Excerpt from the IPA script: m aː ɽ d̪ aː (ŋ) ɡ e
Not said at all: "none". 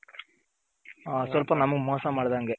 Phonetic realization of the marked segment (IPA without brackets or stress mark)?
ŋ